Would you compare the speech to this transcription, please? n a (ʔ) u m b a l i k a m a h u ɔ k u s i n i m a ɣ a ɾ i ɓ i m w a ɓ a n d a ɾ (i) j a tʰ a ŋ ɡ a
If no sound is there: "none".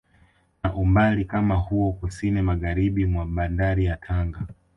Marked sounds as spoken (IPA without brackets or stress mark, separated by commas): ʔ, i